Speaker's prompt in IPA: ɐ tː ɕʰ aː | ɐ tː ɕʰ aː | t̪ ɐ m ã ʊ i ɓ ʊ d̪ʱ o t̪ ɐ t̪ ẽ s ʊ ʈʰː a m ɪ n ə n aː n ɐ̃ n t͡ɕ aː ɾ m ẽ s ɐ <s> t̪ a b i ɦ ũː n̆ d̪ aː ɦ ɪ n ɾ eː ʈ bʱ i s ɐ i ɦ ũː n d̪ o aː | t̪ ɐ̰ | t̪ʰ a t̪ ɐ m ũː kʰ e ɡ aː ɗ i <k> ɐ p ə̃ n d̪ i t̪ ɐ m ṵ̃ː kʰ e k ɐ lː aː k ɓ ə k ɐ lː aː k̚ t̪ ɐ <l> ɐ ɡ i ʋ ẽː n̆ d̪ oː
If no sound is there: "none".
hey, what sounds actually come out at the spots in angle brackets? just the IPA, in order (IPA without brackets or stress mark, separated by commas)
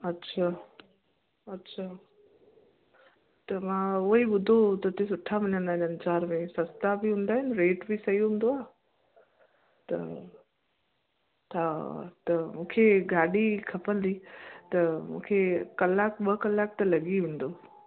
s, kʰ, l